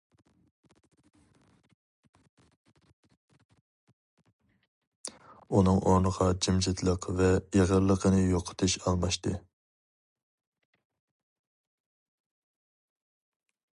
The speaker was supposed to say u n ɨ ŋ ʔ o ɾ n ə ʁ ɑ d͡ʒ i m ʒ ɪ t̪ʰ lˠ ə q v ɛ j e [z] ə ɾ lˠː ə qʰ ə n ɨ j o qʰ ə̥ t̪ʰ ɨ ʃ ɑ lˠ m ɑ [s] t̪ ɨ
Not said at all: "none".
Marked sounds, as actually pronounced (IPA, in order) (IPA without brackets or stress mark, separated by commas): ʁ, ʃ